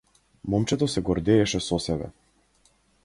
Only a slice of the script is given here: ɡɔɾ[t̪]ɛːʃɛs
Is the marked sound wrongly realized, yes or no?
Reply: yes